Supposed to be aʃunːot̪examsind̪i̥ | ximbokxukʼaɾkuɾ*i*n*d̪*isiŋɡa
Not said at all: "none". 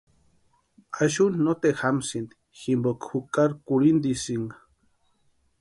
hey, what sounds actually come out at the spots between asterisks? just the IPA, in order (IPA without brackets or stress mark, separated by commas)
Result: i, d̪